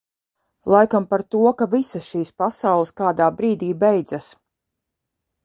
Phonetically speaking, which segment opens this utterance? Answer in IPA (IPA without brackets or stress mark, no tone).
lˠ